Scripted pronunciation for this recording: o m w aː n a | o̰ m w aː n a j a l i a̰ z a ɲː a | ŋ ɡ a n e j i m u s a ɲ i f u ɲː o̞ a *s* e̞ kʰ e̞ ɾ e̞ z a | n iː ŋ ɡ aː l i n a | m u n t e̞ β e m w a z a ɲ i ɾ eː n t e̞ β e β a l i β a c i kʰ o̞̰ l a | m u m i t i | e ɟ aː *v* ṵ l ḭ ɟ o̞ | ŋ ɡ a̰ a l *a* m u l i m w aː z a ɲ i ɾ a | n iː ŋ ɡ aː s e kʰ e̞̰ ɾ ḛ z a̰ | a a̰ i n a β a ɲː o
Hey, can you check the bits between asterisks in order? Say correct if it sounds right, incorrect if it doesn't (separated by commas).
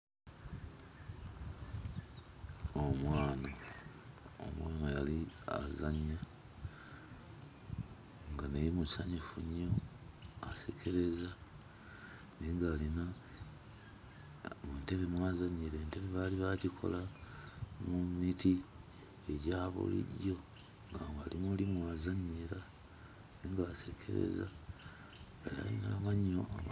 correct, incorrect, incorrect